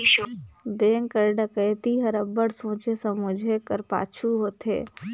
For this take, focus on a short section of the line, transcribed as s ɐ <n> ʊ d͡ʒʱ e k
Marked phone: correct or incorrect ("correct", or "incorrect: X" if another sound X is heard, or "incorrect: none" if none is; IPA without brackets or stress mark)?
incorrect: m